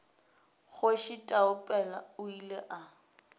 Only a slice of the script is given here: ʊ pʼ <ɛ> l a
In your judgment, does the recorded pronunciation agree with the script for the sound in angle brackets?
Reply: yes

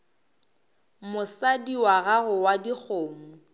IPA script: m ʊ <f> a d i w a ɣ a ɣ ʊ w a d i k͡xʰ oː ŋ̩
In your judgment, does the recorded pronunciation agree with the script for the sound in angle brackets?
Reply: no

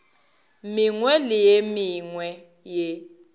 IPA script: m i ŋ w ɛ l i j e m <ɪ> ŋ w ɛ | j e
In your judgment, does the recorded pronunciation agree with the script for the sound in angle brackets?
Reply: no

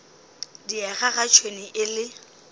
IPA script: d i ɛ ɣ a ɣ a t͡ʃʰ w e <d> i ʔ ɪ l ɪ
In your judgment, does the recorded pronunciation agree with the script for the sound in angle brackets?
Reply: no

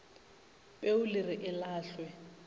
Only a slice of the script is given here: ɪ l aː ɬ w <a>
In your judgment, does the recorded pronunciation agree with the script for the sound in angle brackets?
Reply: no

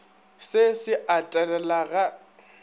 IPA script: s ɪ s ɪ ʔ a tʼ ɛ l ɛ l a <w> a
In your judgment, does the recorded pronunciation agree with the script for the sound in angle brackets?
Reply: no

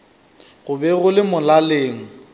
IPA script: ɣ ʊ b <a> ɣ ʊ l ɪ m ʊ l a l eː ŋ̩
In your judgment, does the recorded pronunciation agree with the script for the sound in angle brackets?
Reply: no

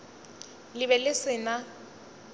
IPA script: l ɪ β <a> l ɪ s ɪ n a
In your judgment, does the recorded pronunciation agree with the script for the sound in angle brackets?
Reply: no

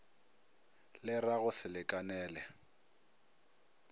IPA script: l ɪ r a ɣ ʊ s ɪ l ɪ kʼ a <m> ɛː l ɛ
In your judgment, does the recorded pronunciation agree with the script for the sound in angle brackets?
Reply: no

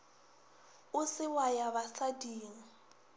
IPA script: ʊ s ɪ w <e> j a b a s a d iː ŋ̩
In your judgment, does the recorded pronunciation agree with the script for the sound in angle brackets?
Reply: no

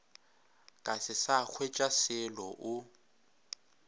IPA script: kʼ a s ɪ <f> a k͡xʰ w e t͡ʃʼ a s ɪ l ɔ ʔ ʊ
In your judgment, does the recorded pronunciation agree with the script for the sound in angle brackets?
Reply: no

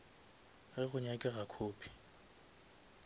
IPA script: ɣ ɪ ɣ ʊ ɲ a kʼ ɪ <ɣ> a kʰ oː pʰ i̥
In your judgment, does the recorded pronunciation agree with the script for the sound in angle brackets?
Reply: yes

